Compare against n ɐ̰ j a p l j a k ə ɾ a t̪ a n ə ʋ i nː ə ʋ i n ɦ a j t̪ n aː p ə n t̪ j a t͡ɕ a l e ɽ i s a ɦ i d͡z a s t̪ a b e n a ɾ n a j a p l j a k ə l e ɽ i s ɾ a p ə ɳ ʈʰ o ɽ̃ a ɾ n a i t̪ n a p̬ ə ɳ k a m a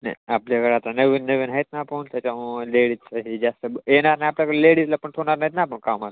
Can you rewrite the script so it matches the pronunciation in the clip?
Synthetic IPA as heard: n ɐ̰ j a p l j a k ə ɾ a t̪ a n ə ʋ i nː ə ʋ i n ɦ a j t̪ n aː p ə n t̪ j a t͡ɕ a l e ɽ i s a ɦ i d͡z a s t̪ ə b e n a ɾ n a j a p l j a k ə l e ɽ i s l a p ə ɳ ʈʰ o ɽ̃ a ɾ n a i t̪ n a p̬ ə ɳ k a m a